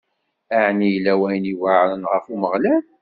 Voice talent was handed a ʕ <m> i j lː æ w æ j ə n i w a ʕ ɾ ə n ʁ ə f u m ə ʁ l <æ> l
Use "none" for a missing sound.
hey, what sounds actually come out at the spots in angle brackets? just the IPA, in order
n, æ

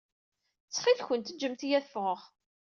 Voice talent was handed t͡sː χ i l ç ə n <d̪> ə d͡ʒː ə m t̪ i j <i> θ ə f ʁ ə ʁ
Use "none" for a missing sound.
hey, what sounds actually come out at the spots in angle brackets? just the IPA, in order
t̪, æ

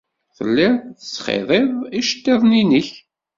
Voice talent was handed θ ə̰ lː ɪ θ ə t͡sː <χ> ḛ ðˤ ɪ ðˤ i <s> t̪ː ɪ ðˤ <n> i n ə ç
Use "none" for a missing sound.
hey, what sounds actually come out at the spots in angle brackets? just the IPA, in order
χ, ʃ, n

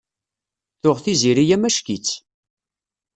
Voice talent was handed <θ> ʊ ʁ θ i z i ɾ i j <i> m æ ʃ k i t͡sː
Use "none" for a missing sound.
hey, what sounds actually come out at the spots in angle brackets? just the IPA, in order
θ, æ

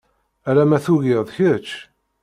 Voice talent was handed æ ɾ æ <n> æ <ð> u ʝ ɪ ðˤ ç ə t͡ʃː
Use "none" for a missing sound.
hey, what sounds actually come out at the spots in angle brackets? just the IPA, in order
m, θ

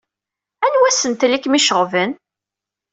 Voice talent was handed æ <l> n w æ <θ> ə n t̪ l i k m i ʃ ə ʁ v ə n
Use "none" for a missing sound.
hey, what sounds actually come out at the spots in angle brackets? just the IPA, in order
none, s

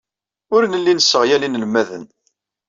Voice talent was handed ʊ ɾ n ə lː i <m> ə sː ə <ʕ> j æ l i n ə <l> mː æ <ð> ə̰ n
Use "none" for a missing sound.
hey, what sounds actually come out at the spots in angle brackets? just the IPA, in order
n, ʁ, l, ð

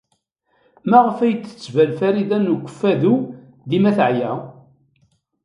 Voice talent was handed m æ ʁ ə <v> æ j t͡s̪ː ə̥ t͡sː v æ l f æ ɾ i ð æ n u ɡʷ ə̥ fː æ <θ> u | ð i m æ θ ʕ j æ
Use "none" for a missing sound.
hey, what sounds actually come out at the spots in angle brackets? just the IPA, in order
f, ð

